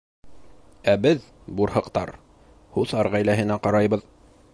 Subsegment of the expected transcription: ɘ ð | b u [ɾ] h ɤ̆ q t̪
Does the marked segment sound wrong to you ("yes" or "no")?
no